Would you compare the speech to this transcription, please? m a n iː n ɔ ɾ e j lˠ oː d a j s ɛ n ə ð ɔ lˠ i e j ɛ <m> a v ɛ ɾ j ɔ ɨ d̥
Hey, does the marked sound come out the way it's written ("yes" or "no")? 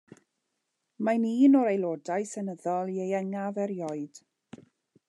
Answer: no